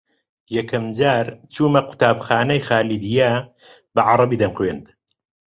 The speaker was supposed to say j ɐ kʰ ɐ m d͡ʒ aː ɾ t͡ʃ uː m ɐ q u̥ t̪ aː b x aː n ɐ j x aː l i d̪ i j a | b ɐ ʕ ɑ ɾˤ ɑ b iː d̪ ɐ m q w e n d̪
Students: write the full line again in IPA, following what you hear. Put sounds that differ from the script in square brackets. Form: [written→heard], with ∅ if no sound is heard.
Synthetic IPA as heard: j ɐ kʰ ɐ m d͡ʒ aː ɾ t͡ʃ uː m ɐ q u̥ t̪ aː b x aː n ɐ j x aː l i d̪ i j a | b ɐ ʕ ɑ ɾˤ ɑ b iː d̪ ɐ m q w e n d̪